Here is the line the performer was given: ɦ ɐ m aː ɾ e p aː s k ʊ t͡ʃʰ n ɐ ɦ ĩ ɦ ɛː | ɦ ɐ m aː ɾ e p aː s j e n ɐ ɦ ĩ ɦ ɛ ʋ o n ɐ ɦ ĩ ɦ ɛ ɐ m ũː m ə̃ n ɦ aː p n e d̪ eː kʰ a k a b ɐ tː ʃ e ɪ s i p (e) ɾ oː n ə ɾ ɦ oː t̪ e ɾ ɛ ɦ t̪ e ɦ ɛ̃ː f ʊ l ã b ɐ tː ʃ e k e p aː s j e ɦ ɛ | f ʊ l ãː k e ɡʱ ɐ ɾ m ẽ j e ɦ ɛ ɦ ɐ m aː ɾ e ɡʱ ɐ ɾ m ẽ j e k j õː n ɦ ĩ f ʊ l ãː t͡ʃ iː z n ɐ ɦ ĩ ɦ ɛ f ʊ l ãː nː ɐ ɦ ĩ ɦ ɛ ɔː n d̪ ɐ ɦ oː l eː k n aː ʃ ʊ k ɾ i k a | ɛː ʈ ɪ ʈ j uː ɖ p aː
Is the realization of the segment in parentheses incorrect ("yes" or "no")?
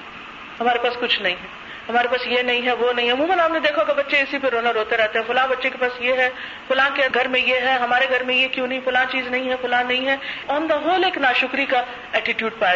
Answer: no